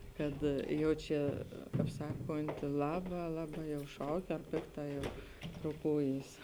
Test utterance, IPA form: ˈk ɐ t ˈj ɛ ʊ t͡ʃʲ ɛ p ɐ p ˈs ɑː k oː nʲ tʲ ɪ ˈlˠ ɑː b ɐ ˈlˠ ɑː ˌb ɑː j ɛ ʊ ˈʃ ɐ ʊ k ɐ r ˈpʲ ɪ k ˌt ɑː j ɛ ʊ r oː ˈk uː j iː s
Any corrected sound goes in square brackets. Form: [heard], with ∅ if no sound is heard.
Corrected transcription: ˈk ɐ t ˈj ɛ ʊ t͡ʃʲ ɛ [k] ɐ p ˈs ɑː k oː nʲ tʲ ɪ ˈlˠ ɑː b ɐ ˈlˠ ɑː ˌb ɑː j ɛ ʊ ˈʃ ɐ ʊ k ɐ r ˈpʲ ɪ k ˌt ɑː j ɛ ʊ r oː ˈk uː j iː s